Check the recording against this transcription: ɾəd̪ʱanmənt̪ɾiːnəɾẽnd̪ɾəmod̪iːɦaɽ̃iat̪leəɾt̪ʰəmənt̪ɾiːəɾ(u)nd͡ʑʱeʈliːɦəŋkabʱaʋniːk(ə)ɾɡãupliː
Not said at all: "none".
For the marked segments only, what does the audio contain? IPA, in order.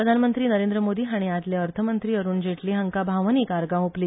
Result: uː, a

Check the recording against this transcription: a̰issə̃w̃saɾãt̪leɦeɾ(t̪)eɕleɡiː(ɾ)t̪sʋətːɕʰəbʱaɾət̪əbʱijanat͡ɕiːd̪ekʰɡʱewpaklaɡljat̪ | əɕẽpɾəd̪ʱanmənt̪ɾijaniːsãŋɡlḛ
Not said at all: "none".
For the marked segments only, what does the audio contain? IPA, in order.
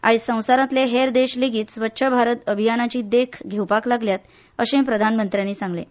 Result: d̪, none

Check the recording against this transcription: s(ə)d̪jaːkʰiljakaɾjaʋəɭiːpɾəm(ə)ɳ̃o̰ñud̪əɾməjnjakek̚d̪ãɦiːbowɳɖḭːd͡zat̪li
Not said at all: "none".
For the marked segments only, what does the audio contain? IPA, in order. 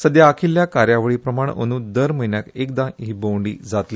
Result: ə, a

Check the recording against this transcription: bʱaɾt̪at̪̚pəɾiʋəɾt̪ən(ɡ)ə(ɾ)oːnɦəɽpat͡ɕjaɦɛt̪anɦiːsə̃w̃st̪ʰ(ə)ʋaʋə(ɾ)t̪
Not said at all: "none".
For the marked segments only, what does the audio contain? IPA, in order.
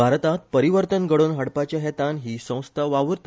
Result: ɡ, ɽ, a, ɾ

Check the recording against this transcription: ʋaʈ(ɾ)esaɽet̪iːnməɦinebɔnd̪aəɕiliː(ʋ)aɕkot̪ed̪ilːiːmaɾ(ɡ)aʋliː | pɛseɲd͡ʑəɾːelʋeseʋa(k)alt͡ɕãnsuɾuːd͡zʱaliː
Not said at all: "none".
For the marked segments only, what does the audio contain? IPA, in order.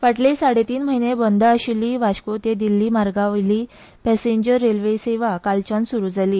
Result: l, ʋ, ɡ, k

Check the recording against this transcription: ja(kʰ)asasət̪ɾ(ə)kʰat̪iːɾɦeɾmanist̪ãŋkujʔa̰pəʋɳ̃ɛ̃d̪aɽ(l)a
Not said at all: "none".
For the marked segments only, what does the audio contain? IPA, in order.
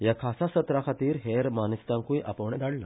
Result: kʰ, a, l

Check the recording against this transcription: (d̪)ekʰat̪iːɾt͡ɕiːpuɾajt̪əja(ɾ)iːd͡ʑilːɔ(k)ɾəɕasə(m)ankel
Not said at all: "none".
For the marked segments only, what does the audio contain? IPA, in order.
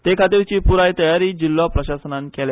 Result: t̪, ɾ, p, n

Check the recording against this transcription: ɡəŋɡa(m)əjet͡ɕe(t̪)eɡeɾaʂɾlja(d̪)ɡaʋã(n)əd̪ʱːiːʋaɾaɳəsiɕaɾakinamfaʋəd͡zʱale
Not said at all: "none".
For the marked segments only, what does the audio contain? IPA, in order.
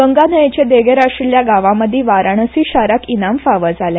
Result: n, d̪, none, m

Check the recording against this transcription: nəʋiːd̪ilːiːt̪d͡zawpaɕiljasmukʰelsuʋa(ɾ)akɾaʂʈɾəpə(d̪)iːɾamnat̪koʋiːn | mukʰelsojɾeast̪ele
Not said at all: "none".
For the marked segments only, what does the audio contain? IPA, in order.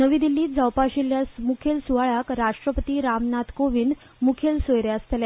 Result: ɭ, t̪

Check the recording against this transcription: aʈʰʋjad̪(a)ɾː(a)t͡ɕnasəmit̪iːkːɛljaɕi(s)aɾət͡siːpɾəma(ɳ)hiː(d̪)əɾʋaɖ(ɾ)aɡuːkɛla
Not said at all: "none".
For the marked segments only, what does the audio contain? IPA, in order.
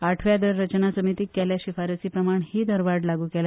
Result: ə, ə, f, ɳ, d̪, l

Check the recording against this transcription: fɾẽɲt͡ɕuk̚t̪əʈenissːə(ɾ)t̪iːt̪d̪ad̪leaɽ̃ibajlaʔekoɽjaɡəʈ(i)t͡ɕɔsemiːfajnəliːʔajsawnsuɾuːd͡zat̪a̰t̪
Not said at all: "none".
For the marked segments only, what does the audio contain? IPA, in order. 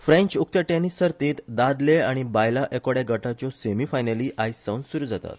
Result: ɾ, a

